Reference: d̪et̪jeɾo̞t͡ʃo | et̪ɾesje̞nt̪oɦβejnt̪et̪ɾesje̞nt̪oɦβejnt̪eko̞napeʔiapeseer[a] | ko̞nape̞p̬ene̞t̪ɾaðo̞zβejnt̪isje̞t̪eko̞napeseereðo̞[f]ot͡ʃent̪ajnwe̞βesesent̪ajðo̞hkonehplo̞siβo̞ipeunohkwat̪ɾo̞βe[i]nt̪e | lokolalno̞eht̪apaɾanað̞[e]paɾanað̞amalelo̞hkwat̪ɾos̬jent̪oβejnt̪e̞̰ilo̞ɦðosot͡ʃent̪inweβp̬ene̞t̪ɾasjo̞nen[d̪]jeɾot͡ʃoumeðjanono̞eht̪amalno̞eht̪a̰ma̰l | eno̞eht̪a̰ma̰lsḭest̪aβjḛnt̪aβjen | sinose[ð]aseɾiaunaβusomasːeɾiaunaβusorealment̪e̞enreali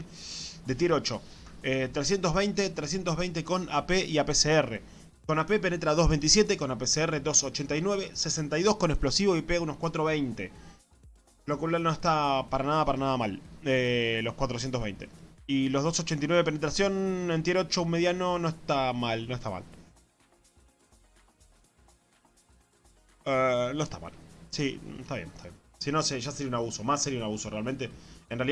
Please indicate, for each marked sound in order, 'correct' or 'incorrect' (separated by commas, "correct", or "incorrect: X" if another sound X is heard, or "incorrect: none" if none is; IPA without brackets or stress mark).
incorrect: e, incorrect: s, incorrect: j, incorrect: a, incorrect: t̪, incorrect: ʒ